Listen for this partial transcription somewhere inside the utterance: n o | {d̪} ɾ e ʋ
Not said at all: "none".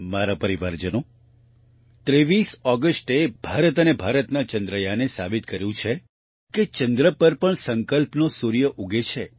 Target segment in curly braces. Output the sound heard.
t̪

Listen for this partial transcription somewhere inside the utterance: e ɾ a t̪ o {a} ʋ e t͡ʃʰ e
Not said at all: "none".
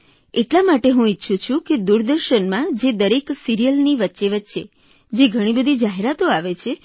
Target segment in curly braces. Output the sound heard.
a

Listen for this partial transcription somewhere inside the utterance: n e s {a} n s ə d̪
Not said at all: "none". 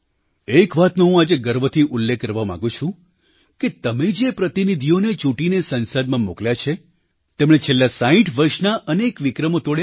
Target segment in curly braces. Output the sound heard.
ə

